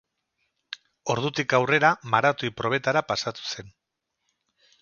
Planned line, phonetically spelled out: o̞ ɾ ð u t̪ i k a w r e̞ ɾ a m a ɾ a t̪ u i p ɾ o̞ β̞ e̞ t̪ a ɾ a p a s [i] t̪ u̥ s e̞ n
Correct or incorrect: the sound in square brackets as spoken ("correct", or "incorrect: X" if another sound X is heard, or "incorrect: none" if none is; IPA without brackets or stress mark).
incorrect: a